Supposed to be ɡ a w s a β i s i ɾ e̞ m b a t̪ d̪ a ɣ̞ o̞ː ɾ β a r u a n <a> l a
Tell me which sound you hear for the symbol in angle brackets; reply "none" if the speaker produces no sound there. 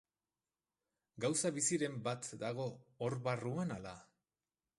a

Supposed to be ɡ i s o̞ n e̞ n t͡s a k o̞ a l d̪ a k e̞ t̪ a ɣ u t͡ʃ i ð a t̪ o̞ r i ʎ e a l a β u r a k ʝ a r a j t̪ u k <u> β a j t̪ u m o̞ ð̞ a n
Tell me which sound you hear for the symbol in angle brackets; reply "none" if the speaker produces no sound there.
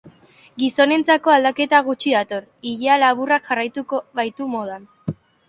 o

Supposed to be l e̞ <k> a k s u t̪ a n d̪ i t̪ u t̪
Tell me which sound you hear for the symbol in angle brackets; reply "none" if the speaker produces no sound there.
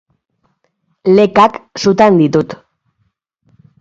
k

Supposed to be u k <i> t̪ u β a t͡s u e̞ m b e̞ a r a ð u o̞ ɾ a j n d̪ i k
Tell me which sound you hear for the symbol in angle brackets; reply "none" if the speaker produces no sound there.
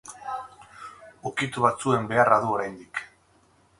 i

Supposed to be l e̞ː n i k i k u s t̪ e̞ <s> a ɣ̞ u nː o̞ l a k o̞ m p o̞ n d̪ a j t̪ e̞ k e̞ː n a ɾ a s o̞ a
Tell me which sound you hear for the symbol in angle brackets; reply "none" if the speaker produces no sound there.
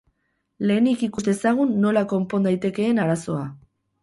s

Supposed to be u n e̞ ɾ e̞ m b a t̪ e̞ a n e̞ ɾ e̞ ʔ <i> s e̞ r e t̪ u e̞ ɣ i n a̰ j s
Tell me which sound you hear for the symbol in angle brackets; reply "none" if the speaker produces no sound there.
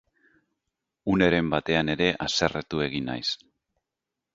a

